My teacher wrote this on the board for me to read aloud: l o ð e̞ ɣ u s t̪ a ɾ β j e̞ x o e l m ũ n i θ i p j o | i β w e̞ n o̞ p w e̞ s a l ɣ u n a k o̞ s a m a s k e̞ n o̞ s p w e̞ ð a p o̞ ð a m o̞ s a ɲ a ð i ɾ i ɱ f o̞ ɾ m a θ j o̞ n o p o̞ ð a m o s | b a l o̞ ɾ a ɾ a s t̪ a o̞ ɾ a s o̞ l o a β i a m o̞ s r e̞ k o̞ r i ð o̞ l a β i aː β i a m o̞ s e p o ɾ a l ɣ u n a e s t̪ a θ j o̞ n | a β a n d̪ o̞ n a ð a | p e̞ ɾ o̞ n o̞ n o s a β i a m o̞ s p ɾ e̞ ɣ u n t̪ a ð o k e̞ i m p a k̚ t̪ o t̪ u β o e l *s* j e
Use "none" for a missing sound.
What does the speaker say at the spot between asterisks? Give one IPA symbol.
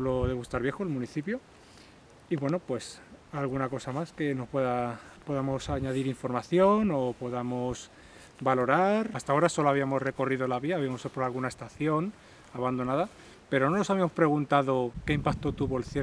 θ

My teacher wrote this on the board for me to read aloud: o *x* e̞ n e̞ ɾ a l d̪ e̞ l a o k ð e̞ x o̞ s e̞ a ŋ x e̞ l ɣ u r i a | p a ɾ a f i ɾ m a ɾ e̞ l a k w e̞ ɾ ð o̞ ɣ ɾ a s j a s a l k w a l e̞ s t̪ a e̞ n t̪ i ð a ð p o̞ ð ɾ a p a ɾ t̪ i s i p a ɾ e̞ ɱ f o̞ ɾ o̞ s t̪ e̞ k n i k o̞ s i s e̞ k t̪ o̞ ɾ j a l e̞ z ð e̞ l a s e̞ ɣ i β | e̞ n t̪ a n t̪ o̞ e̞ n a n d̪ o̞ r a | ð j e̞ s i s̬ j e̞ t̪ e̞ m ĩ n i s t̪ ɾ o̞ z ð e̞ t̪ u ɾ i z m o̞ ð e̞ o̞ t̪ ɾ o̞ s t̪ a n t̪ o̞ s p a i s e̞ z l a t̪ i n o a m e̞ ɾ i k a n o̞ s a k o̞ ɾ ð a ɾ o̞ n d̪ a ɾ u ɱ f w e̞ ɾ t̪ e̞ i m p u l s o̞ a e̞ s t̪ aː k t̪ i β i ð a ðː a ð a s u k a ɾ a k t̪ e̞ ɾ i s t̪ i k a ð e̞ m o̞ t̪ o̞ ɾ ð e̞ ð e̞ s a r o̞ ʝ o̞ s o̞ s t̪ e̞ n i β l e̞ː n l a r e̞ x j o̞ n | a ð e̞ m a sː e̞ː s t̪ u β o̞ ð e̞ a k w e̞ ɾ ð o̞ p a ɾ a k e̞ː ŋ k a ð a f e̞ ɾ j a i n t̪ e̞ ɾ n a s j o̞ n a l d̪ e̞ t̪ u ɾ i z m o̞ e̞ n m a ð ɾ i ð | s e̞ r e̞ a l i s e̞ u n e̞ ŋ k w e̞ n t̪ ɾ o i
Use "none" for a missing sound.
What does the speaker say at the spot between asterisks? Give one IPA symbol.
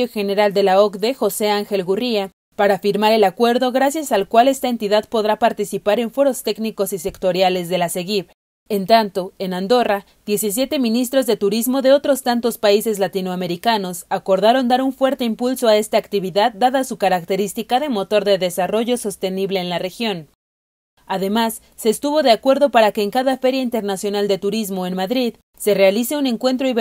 x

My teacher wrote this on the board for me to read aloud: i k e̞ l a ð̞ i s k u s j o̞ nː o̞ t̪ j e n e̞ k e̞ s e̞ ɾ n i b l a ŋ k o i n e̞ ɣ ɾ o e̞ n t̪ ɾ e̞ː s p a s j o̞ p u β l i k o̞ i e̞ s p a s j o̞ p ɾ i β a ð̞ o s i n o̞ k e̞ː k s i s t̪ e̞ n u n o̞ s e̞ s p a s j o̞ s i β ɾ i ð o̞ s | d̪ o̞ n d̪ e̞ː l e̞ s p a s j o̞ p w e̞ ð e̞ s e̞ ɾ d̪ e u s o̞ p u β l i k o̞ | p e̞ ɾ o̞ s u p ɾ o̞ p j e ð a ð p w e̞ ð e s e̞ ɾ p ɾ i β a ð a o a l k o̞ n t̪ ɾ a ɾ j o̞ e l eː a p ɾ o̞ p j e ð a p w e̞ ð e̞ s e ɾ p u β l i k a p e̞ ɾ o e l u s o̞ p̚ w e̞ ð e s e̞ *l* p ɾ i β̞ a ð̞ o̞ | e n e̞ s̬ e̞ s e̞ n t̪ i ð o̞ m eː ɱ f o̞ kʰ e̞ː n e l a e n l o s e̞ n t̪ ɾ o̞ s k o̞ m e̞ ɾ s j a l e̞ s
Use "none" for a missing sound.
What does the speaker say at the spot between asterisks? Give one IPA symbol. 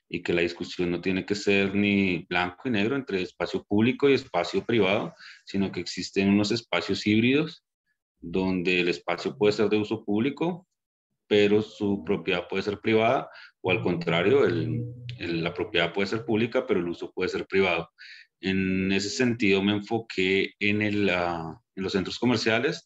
ɾ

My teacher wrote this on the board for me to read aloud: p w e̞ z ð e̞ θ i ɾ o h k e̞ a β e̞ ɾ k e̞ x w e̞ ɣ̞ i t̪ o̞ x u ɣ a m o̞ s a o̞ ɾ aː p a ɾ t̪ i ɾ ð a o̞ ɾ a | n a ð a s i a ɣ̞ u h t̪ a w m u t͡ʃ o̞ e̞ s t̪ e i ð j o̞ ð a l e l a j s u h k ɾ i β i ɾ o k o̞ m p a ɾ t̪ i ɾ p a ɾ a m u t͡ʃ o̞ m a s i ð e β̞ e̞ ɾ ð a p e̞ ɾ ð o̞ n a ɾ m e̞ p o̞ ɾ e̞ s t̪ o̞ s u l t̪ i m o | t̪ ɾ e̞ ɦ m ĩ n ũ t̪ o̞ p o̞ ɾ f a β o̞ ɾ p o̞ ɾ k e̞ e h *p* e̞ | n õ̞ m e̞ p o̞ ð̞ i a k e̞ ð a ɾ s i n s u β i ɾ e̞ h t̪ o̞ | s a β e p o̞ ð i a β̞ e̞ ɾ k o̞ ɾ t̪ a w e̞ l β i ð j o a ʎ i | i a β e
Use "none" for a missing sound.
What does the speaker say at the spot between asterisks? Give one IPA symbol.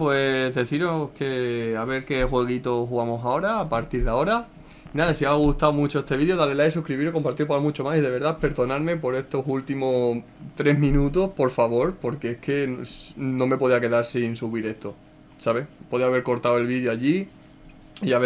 k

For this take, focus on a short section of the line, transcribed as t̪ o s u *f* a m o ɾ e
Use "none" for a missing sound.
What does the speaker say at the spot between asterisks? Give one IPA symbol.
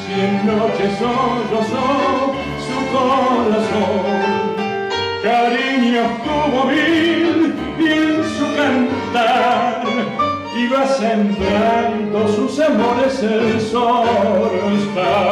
s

